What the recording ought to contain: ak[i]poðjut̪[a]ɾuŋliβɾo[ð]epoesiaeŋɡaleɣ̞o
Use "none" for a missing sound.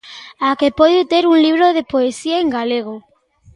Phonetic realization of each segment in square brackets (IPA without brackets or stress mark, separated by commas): e, e, ð